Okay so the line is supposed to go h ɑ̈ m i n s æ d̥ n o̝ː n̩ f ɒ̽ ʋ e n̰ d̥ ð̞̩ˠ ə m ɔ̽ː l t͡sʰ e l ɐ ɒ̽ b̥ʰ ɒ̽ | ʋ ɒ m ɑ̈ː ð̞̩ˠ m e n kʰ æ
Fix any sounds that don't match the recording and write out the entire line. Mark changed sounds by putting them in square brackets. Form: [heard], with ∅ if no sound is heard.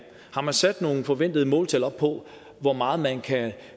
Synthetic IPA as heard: h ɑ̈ m [æ] n s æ d̥ n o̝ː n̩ f ɒ̽ ʋ e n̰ d̥ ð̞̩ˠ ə m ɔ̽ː l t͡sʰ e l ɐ ɒ̽ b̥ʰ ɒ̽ | ʋ ɒ m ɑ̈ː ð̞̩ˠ m [æ] n kʰ æ